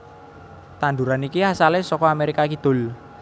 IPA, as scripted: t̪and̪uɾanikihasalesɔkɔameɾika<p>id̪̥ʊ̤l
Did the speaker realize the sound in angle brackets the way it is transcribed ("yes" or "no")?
no